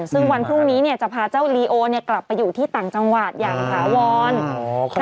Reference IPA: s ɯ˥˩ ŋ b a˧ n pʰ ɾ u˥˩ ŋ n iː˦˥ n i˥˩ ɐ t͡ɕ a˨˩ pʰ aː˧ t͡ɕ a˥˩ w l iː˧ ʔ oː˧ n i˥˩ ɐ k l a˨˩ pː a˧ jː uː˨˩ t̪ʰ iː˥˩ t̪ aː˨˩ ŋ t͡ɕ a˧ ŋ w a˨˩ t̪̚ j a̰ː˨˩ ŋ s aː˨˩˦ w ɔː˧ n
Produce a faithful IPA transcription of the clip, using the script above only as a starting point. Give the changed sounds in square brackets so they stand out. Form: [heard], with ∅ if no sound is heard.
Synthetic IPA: s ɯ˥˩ ŋ [w] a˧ n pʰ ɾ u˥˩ ŋ n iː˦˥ n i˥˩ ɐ t͡ɕ a˨˩ pʰ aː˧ t͡ɕ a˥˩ w l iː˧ ʔ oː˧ n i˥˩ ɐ k l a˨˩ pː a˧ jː uː˨˩ t̪ʰ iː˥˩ t̪ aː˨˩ ŋ t͡ɕ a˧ ŋ w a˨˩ t̪̚ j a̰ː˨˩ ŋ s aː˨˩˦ w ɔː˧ n